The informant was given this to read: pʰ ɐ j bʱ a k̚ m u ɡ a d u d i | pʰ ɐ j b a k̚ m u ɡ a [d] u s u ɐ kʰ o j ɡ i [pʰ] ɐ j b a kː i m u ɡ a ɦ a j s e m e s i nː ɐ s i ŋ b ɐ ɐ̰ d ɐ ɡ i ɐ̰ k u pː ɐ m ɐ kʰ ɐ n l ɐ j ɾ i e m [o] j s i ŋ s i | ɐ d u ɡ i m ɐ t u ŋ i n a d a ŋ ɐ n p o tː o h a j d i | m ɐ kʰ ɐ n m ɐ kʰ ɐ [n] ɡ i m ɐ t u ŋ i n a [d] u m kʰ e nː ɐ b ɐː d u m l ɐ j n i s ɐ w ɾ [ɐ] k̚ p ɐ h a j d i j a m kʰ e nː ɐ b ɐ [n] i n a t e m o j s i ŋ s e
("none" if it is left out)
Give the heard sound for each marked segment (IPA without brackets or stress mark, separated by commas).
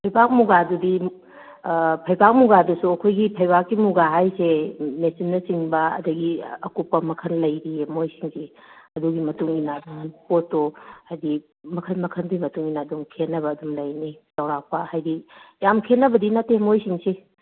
d, pʰ, o, n, d, a, d